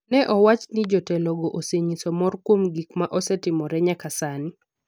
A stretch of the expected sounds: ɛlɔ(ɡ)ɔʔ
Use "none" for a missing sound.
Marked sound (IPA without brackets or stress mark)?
ɡ